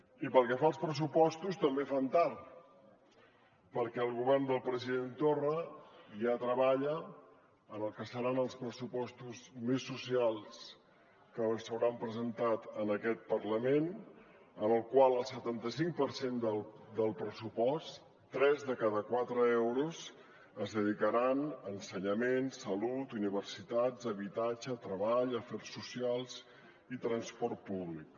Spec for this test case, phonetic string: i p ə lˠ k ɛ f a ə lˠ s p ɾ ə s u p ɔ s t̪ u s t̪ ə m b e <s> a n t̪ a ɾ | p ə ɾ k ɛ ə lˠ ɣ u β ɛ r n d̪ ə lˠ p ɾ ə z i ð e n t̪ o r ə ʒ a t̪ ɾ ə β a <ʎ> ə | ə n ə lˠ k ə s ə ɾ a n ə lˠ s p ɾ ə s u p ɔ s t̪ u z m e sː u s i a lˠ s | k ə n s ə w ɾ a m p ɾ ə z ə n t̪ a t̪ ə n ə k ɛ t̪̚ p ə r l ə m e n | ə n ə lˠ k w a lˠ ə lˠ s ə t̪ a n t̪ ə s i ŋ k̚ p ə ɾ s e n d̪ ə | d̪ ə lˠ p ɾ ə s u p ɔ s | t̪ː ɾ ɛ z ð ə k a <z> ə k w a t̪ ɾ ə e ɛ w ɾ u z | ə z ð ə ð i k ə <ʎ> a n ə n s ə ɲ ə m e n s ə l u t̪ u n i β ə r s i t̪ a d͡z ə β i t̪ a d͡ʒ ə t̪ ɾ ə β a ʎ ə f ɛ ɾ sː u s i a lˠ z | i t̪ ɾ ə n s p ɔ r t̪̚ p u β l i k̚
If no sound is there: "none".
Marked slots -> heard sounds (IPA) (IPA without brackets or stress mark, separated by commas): f, ʎ, ð, ɾ